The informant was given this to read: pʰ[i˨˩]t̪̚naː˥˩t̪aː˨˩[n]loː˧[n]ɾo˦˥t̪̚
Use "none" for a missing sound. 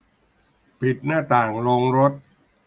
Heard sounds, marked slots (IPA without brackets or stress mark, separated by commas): i˨˩, ŋ, ŋ